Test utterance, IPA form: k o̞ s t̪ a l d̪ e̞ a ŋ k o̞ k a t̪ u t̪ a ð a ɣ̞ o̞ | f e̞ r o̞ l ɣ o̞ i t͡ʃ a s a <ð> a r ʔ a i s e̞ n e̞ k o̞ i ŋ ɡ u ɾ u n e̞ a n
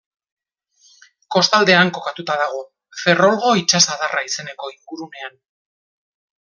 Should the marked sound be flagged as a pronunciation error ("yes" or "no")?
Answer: no